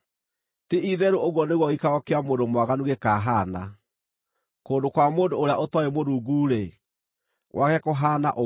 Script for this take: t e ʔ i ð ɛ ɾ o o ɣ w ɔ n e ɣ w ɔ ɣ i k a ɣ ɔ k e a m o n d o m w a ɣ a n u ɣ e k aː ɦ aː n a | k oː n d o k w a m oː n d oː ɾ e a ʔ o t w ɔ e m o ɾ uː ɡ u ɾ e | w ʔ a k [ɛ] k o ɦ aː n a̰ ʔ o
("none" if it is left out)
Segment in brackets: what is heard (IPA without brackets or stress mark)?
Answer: ɛ